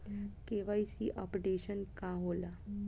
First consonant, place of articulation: velar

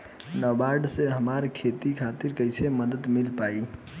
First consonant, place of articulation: alveolar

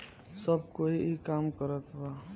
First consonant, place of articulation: alveolar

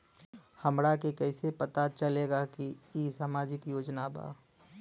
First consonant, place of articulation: glottal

